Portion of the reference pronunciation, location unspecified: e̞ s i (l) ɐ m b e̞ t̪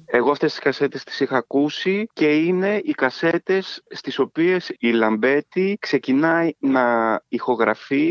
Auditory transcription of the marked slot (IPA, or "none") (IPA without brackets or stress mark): l